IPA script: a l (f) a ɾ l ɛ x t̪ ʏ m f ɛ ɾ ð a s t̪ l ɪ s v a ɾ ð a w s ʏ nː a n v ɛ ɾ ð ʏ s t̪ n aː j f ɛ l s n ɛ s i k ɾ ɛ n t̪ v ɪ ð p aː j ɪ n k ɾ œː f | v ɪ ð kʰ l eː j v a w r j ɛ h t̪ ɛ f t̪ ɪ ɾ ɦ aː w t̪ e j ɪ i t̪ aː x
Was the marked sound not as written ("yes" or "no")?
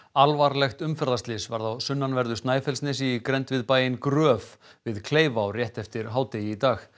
yes